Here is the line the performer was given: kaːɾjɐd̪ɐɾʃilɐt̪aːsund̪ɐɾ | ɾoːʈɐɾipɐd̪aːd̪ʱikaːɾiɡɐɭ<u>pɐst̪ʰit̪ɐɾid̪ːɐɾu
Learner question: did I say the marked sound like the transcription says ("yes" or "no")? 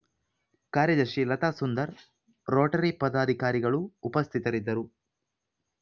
no